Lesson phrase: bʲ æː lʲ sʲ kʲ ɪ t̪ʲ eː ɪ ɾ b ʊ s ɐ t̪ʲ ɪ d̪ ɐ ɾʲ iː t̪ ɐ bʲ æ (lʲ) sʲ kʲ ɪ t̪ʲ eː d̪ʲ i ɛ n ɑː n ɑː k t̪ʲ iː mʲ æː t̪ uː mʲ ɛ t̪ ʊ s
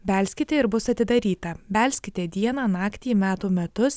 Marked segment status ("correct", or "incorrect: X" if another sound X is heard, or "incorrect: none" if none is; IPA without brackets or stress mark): correct